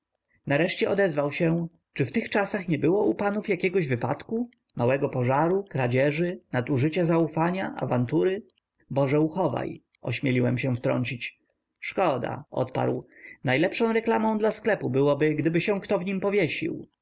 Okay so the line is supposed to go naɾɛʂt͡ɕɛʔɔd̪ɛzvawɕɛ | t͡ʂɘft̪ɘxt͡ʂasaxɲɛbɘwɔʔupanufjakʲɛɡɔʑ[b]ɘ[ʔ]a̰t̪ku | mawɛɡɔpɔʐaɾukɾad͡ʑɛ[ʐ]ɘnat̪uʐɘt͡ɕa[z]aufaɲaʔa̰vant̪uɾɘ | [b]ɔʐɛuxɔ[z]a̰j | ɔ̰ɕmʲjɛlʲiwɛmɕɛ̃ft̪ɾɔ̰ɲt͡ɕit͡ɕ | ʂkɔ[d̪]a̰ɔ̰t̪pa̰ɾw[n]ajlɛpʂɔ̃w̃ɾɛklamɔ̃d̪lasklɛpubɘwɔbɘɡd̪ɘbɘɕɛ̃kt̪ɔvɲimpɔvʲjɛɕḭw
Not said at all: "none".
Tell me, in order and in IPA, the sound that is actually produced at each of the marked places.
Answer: v, p, ʐ, z, b, v, d̪, n

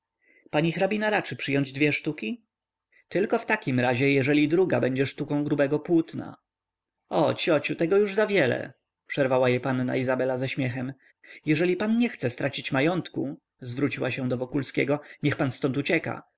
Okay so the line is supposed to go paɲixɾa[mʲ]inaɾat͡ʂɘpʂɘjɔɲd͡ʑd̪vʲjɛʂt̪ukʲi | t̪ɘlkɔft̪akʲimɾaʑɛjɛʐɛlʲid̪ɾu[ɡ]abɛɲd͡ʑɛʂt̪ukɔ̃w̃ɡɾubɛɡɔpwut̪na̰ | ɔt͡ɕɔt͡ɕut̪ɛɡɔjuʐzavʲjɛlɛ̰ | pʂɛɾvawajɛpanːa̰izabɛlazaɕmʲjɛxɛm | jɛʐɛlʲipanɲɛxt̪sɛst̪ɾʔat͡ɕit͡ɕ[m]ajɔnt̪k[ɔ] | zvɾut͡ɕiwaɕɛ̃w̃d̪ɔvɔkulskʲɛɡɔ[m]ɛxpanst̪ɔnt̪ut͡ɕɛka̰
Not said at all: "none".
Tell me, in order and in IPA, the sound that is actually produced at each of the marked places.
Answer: bʲ, ɡ, m, u, ɲ

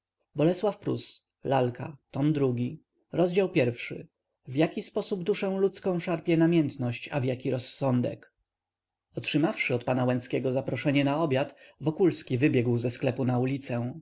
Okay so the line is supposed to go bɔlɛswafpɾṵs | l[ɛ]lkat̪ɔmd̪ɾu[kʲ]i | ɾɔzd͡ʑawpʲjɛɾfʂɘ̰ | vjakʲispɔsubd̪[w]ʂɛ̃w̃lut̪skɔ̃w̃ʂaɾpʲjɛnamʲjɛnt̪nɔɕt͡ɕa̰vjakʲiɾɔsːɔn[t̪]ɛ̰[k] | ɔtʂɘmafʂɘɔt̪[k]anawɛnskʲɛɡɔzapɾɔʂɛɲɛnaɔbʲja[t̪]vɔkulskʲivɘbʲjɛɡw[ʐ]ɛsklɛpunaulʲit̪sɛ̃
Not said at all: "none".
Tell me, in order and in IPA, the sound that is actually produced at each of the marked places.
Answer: a, ɡʲ, u, d̪, k, p, t̪, z

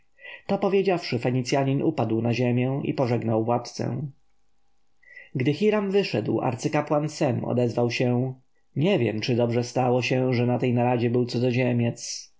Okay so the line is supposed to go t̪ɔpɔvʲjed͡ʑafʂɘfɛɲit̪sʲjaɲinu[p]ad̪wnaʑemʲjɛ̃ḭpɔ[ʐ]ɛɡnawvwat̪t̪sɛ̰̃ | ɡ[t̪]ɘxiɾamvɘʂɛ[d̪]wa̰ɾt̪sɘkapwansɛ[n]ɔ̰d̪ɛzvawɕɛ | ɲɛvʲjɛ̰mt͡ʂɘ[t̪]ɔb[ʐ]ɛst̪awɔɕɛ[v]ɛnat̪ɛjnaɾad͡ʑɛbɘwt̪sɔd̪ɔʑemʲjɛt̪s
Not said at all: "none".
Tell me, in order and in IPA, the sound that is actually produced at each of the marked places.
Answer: p, ʐ, d̪, d̪, m, d̪, ʐ, ʐ

